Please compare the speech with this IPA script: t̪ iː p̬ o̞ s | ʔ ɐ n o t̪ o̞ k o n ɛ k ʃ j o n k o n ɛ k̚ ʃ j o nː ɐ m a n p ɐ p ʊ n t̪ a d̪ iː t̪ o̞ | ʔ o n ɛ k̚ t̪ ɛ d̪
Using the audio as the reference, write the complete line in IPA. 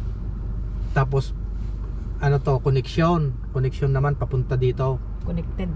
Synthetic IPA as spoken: t̪ aː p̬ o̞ s | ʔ ɐ n o t̪ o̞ k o n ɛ k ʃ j o n k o n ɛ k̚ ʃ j o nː ɐ m a n p ɐ p ʊ n t̪ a d̪ iː t̪ o̞ | k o n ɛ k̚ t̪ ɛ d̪